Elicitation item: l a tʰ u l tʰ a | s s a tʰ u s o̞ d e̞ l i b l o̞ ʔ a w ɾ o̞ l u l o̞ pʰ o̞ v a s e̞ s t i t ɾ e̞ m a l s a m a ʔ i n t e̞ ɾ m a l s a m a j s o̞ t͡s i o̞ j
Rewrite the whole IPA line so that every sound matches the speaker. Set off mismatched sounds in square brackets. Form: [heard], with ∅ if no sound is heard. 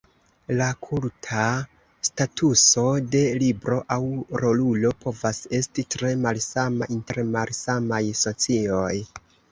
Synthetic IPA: l a [kʰ] u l tʰ a | s [t] a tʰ u s o̞ d e̞ l i b [ɾ] o̞ ʔ a w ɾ o̞ l u l o̞ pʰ o̞ v a s e̞ s t i t ɾ e̞ m a l s a m a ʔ i n t e̞ ɾ m a l s a m a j s o̞ t͡s i o̞ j